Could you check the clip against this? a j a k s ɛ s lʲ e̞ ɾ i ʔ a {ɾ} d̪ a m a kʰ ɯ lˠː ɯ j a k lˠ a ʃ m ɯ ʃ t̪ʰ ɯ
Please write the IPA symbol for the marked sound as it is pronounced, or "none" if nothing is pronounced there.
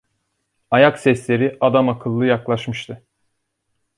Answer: none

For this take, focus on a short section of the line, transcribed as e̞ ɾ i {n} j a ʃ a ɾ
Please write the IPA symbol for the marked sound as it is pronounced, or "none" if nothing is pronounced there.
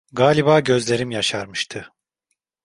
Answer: m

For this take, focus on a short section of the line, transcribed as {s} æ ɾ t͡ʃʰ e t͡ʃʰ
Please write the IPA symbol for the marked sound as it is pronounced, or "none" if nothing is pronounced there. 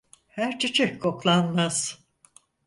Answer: h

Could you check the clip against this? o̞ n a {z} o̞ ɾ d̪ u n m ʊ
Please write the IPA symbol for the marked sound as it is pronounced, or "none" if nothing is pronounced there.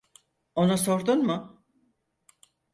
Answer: s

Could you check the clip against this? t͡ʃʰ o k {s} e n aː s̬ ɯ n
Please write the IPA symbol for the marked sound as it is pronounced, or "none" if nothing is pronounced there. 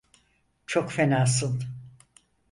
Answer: f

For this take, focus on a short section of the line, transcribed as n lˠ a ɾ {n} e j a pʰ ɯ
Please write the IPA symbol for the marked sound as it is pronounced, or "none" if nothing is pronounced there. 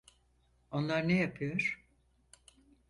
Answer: n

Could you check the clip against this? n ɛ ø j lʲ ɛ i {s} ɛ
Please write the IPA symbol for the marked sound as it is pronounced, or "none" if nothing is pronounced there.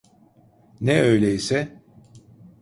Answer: s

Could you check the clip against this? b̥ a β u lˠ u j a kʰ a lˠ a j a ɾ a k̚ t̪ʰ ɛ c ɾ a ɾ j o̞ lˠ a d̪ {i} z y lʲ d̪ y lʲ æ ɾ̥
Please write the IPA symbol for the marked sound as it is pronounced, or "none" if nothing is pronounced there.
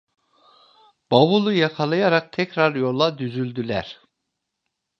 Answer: y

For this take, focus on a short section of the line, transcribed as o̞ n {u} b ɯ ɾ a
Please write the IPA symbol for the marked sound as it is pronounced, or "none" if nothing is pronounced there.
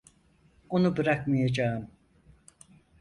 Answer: u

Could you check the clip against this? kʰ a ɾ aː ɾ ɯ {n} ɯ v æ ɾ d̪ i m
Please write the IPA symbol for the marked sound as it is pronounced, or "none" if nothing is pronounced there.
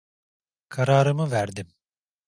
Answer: m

